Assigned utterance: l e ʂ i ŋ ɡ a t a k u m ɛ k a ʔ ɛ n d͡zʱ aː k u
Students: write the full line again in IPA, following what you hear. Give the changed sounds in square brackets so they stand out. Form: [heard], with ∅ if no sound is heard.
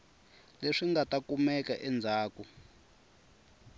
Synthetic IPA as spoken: l e ʂ i ŋ ɡ a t a k u m ɛ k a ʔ ɛ n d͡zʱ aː k u

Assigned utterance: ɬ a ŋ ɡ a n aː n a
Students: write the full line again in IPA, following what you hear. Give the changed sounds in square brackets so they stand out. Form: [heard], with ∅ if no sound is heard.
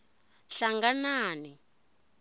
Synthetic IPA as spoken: ɬ a ŋ ɡ a n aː n [i]

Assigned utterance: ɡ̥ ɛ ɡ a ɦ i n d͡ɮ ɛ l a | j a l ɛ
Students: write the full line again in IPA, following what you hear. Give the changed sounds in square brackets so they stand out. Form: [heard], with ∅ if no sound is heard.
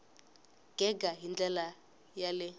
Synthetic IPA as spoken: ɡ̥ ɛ ɡ a ɦ i n d͡ɮ ɛ l a | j a l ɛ

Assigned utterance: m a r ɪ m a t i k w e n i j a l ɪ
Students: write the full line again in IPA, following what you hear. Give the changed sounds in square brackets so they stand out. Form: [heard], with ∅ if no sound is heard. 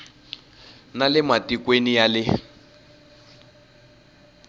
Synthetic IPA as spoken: [n] a [l] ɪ m a t i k w e n i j a l ɪ

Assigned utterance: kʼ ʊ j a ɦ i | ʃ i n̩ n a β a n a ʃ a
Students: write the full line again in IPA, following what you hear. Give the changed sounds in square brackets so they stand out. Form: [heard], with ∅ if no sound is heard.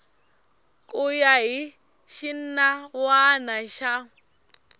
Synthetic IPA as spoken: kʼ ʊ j a ɦ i | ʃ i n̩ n a [w] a n a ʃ a

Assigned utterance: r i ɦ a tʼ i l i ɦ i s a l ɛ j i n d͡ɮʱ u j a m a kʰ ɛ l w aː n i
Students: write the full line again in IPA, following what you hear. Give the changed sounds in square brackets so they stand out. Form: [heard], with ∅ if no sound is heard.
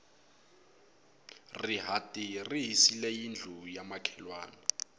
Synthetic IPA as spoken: r i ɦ a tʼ i [r] i ɦ i s [i] l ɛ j i n d͡ɮʱ u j a m a kʰ ɛ l w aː n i

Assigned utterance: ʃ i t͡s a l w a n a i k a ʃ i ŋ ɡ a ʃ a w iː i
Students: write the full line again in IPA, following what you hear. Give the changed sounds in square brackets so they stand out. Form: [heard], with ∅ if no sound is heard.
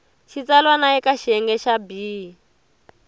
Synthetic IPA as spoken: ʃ i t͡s a l w a n a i k a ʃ [ɛ] ŋ ɡ [ɛ] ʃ a [b] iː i

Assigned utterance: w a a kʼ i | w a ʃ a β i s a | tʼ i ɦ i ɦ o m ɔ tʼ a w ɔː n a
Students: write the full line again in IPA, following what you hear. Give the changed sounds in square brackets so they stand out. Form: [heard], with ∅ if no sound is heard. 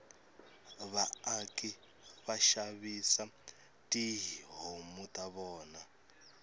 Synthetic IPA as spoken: [β] a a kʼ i | [β] a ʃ a β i s a | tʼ i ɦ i ɦ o m [u] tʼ a [β] ɔː n a

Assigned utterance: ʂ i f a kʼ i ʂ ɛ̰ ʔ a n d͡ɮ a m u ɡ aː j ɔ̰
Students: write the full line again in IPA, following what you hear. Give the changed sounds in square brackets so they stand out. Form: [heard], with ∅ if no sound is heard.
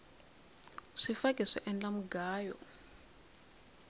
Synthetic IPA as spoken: ʂ i f a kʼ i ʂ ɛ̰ ʔ [ɛ] n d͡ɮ a m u ɡ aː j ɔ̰

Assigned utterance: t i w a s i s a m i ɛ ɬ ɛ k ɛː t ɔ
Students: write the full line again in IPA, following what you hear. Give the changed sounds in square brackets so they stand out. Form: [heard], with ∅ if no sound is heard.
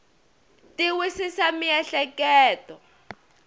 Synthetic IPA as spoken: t i w [i] s i s a m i ɛ ɬ ɛ k ɛː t ɔ

